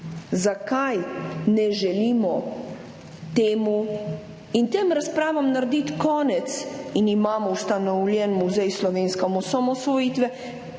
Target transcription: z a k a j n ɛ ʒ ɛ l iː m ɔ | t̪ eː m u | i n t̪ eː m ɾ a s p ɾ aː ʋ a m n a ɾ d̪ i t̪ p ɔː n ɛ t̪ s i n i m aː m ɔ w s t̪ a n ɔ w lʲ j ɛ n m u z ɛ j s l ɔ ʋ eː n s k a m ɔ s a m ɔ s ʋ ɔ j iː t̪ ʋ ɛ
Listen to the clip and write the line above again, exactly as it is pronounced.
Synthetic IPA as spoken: z a k a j n ɛ ʒ ɛ l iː m ɔ | t̪ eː m u | i n t̪ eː m ɾ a s p ɾ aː ʋ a m n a ɾ d̪ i t̪ k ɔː n ɛ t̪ s i n i m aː m ɔ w s t̪ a n ɔ w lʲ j ɛ n m u z ɛ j s l ɔ ʋ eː n s k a m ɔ s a m ɔ s ʋ ɔ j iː t̪ ʋ ɛ